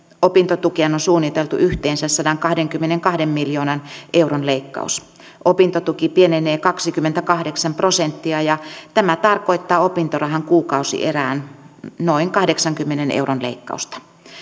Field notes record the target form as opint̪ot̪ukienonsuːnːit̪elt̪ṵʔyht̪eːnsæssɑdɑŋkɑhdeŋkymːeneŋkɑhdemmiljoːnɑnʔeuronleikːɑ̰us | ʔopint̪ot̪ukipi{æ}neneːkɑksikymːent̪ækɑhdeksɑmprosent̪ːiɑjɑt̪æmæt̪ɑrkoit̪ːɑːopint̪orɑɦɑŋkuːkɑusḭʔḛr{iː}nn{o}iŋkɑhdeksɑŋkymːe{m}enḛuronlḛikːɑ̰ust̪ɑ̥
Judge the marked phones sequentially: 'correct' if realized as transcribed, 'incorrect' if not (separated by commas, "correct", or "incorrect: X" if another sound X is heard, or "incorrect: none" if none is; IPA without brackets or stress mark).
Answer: incorrect: e, incorrect: æː, correct, incorrect: n